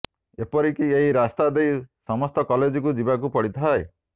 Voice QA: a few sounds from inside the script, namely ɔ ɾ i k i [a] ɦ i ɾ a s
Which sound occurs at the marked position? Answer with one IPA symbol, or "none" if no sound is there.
e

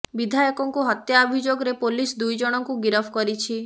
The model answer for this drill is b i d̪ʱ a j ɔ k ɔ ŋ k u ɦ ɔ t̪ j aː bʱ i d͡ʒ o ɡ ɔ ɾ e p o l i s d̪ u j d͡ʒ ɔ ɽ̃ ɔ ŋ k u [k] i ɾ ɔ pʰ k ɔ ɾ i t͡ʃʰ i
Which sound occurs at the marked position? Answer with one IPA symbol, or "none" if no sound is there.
ɡ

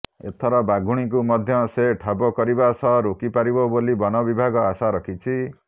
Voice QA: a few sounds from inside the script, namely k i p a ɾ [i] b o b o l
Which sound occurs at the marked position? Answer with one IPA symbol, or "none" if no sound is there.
i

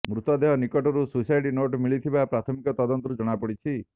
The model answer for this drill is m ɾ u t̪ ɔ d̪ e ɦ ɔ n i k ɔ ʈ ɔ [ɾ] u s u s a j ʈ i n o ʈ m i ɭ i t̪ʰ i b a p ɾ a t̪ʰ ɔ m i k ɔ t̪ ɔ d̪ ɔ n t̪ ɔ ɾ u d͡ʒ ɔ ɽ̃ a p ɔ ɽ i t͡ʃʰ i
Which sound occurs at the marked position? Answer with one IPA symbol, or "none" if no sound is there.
ɾ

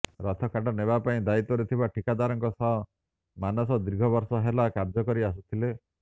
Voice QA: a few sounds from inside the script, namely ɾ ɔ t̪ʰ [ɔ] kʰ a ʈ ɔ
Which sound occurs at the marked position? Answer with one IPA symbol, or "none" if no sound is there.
ɔ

